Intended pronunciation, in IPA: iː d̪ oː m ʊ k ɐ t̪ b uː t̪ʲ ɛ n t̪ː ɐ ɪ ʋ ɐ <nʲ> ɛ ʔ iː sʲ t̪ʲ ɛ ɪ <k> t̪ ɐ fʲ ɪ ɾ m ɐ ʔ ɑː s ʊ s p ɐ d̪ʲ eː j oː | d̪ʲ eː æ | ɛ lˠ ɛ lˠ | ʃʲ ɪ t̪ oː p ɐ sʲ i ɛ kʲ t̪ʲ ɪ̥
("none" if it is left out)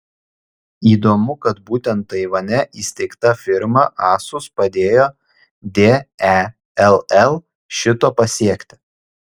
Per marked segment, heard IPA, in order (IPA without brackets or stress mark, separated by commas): nʲ, k